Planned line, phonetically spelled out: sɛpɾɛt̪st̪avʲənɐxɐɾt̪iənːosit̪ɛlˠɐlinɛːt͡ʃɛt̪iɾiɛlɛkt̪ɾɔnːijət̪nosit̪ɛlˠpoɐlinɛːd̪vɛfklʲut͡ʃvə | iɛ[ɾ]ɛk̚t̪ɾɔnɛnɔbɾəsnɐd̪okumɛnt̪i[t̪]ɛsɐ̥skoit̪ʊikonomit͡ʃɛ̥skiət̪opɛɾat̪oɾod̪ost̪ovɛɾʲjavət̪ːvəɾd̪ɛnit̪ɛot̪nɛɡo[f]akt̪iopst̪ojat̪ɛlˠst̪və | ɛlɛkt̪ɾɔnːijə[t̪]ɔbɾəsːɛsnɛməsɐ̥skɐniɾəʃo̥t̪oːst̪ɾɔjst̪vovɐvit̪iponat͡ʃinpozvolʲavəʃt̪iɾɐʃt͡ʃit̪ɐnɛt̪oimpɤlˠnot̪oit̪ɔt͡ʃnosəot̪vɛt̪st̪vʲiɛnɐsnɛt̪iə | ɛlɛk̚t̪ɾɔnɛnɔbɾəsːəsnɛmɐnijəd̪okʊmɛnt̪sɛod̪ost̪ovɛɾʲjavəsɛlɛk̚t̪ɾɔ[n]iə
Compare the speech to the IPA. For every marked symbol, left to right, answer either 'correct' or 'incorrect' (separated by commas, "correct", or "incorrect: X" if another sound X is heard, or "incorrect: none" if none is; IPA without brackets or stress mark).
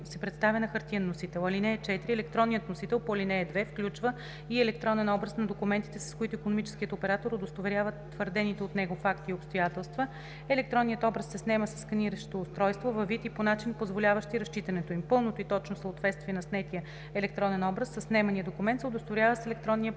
incorrect: l, correct, correct, correct, incorrect: nː